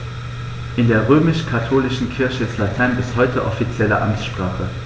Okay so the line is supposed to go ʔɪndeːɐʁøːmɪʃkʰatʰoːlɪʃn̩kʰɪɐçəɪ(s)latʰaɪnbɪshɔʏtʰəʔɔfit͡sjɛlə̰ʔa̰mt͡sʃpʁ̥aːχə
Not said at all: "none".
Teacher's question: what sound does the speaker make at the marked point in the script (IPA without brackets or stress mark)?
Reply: s